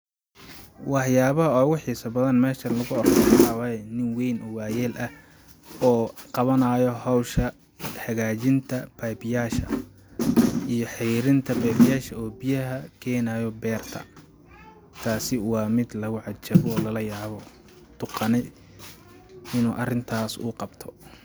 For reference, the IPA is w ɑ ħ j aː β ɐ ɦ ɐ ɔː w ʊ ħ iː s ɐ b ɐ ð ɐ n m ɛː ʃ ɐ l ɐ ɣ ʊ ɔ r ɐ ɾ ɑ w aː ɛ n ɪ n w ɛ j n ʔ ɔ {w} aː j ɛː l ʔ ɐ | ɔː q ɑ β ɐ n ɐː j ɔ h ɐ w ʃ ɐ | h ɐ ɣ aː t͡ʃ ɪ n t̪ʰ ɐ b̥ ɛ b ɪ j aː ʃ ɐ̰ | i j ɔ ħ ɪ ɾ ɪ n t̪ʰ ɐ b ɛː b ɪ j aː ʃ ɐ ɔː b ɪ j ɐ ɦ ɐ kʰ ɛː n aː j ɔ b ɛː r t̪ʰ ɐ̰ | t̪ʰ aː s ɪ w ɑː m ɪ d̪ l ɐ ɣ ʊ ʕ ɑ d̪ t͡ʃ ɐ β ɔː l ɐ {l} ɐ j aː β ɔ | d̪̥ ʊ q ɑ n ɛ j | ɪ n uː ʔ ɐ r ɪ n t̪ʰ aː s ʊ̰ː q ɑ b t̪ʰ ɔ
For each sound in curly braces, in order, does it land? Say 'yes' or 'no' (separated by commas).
yes, yes